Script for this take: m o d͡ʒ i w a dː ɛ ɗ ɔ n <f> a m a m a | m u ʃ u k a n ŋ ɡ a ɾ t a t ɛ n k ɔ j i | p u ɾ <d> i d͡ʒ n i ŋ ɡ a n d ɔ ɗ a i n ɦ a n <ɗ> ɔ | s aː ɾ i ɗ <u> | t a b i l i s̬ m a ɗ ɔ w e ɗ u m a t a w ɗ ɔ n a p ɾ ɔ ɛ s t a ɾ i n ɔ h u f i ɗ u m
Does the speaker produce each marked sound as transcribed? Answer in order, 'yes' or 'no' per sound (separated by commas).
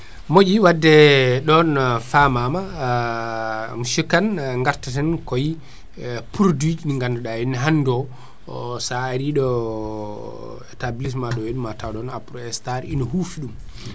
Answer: yes, yes, no, no